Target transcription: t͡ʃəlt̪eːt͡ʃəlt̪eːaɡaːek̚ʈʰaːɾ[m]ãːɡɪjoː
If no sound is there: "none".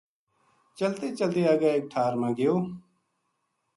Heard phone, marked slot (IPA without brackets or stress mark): m